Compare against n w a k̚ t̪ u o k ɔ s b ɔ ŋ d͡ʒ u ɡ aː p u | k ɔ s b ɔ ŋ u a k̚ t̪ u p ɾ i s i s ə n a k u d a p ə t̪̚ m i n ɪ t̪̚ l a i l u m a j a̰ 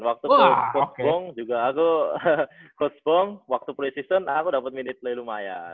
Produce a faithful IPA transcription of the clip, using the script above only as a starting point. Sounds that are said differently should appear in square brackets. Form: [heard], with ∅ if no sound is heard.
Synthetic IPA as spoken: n w a k̚ t̪ u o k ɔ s b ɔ ŋ d͡ʒ u ɡ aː [k] u | k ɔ s b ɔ ŋ [w] a k̚ t̪ u p ɾ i s i s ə n a k u d a p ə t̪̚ m i n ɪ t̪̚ l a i l u m a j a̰

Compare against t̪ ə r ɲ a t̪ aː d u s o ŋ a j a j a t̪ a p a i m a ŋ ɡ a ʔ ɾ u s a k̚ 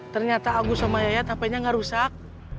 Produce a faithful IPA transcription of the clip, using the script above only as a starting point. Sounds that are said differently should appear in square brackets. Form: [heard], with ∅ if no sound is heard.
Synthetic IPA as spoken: t̪ ə r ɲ a t̪ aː [ɡ] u s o [m] a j a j a t̪ a p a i [ɲ] a ŋ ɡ a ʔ ɾ u s a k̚

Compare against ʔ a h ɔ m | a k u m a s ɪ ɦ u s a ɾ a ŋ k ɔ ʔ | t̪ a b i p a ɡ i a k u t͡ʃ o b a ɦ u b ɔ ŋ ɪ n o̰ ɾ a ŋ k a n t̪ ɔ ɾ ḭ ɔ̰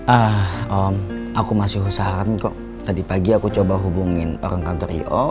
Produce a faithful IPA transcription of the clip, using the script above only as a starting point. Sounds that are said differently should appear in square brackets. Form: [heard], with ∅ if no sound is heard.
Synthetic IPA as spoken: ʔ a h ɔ m | a k u m a s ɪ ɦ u s a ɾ a [n] k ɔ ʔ | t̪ a [d] i p a ɡ i a k u t͡ʃ o b a ɦ u b [u] ŋ ɪ n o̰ ɾ a ŋ k a n t̪ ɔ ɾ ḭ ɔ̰

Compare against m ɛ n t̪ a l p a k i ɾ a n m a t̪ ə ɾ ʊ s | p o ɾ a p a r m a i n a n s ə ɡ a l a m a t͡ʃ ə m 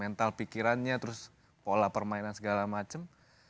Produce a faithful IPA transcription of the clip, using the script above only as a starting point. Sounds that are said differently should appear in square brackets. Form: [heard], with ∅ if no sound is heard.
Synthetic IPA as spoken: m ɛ n t̪ a l p [i] k i ɾ a n [ɲ] a t̪ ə ɾ ʊ s | p o [l] a p [ə] r m a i n a n s ə ɡ a l a m a t͡ʃ ə m

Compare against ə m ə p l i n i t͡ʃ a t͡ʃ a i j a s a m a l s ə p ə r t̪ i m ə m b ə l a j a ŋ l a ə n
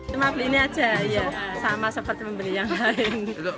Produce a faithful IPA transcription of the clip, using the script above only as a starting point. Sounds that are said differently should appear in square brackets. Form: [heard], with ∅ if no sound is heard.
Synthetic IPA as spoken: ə m [a] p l i n i [∅] a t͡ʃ a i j a s a m a [∅] s ə p ə r t̪ i m ə m b ə l [i] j a ŋ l a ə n

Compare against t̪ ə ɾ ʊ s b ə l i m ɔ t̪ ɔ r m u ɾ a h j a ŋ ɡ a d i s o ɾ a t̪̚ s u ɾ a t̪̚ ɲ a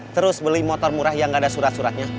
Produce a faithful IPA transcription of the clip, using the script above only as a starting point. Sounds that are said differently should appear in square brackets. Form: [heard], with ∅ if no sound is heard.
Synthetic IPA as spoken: t̪ ə ɾ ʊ s b ə l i m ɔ t̪ ɔ r m u ɾ a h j a ŋ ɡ a d [a] s [u] ɾ a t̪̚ s u ɾ a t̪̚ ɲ a

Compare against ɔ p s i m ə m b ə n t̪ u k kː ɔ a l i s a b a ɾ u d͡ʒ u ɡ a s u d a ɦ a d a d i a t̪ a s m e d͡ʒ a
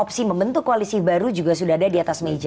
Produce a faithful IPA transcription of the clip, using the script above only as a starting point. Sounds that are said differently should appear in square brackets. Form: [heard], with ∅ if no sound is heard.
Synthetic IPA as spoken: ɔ p s i m ə m b ə n t̪ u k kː [o] a l i s [i] b a ɾ u d͡ʒ u ɡ a s u d a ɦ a d a d i a t̪ a s m e d͡ʒ a

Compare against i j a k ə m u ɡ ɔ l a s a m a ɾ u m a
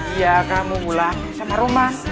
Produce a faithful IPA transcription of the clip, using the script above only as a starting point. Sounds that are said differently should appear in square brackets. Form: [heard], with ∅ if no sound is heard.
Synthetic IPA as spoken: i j a k [a] m u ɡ [u] l a s a m a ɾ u m a

